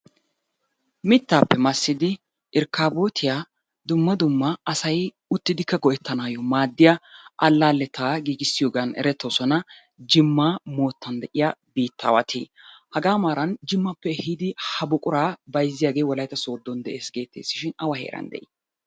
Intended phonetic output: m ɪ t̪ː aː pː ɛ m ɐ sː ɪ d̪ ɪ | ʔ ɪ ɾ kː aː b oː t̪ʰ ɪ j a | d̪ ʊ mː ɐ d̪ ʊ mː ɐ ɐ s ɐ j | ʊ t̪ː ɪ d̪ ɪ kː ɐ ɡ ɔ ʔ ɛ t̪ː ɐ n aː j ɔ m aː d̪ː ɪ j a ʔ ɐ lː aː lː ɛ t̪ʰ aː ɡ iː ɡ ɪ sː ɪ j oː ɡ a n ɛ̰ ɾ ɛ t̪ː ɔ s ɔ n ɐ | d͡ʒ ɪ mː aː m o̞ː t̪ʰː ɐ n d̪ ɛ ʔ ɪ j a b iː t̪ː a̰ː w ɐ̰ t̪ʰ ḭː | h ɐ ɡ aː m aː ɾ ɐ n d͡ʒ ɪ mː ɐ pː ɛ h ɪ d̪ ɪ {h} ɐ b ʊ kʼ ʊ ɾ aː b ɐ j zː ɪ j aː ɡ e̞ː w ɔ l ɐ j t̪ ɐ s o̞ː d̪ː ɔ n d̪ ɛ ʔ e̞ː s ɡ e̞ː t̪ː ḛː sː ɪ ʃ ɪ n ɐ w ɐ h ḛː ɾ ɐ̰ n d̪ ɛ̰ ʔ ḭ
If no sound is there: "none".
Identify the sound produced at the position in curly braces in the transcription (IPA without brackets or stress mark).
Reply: h